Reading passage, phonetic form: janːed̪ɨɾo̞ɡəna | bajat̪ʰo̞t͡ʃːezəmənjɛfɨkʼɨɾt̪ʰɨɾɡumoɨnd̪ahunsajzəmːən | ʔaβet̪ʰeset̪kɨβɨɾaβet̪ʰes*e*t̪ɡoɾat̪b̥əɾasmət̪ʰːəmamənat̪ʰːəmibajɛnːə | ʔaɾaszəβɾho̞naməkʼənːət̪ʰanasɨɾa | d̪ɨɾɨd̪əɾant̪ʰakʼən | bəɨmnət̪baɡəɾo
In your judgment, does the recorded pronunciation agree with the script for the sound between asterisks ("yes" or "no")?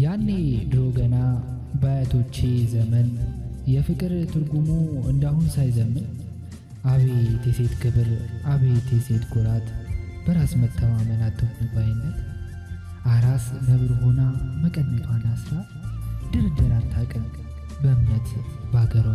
yes